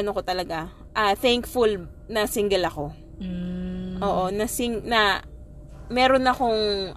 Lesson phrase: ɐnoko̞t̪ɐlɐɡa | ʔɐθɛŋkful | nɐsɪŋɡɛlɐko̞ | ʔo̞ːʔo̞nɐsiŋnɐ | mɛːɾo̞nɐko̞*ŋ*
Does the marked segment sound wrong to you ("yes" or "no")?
no